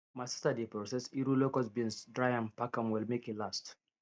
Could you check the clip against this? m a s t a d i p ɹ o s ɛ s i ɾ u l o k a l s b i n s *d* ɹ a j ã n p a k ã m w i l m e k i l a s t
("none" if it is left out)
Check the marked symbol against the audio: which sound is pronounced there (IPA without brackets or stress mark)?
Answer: d